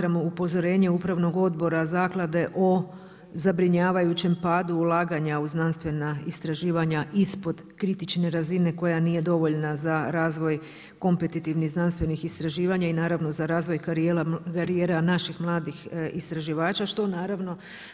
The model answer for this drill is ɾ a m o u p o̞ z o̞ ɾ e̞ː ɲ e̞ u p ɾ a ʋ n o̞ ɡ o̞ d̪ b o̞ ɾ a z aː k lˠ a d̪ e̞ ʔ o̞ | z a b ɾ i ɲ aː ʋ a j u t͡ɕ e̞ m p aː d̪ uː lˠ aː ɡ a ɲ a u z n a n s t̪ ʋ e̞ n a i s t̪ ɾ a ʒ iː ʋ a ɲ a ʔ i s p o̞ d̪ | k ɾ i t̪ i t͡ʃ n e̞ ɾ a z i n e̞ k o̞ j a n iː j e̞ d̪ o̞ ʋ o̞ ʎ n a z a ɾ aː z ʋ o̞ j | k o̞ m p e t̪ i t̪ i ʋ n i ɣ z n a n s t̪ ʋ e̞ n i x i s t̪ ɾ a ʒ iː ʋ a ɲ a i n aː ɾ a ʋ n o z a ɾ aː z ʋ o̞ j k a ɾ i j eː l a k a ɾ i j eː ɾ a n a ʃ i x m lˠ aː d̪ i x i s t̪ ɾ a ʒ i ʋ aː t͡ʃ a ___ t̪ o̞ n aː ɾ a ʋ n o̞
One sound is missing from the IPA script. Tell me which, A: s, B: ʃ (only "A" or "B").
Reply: B